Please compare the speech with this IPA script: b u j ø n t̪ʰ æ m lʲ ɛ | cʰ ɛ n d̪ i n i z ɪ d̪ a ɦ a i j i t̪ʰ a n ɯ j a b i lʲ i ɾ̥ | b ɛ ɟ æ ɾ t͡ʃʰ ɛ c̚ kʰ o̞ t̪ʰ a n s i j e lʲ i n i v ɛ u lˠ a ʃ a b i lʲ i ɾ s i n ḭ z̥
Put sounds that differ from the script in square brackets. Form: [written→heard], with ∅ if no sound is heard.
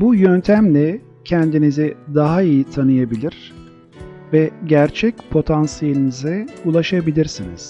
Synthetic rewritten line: b u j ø n t̪ʰ æ m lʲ ɛ | cʰ ɛ n d̪ i n i z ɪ d̪ a ɦ a i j i t̪ʰ a n ɯ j a b i lʲ i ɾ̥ | [b→v] ɛ ɟ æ ɾ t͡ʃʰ ɛ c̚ [kʰ→pʰ] o̞ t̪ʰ a n s i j e lʲ i n i [v→z] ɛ u lˠ a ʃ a b i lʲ i ɾ s i n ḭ z̥